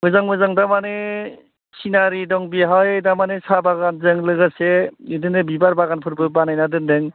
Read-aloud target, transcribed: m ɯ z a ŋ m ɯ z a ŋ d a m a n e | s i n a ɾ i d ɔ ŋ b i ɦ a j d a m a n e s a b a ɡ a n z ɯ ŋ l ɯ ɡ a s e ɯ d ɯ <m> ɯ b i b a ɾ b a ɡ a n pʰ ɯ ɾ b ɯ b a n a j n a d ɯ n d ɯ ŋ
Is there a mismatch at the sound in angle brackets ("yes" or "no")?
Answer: yes